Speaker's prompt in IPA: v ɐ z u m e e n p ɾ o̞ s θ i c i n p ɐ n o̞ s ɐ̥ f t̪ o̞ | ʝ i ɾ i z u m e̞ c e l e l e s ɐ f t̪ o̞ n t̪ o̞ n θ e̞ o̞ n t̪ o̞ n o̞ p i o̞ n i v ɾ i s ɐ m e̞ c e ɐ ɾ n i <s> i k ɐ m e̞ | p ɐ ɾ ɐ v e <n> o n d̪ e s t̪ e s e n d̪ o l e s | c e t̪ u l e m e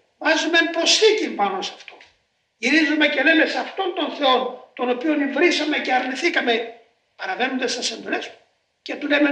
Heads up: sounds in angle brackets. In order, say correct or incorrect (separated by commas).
incorrect, correct